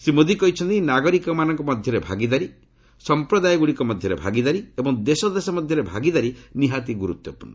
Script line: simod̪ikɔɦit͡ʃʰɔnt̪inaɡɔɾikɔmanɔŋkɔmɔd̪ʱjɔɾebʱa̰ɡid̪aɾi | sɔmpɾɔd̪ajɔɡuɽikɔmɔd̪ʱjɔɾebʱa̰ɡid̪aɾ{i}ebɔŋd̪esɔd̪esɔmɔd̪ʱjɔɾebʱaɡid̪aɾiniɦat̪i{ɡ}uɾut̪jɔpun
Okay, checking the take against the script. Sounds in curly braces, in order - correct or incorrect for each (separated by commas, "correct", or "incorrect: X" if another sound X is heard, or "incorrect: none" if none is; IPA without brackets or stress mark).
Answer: correct, correct